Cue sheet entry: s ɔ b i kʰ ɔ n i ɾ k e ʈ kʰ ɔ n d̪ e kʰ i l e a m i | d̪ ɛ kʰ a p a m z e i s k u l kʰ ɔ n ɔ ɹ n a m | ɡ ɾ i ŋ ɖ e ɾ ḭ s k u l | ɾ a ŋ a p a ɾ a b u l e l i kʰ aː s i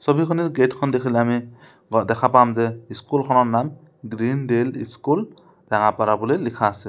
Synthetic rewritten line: s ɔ b i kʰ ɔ n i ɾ ɡ e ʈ kʰ ɔ n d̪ e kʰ i l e a m i | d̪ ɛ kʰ a p a m z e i s k u l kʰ ɔ n ɔ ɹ n a m | ɡ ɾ i n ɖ e l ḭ s k u l | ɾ a ŋ a p a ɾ a b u l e l i kʰ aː s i